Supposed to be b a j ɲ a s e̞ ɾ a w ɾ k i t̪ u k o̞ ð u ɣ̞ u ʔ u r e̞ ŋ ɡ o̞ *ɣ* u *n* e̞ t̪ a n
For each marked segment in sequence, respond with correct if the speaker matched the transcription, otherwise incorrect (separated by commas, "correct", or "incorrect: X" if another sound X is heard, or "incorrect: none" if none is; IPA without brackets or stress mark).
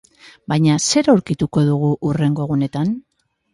correct, correct